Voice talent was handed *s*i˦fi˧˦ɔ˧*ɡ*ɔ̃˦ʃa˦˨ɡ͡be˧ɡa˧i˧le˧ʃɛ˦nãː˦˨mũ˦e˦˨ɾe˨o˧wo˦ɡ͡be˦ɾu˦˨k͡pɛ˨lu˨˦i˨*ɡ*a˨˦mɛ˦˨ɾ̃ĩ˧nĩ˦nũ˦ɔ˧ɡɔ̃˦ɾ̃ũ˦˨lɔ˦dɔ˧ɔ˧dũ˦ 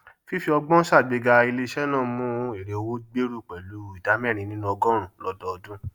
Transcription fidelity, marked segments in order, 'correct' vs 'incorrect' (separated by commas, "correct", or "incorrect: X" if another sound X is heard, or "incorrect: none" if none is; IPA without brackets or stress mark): incorrect: f, incorrect: ɡ͡b, incorrect: d